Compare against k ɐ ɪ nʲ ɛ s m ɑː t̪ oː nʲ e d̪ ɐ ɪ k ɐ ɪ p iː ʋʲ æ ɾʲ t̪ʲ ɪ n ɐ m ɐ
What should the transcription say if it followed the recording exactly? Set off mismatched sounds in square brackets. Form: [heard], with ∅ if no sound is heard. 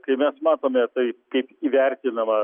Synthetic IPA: k ɐ ɪ [mʲ] ɛ s m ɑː t̪ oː [mʲ] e [t̪] ɐ ɪ k ɐ ɪ p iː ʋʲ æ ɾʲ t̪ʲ ɪ n ɐ m ɐ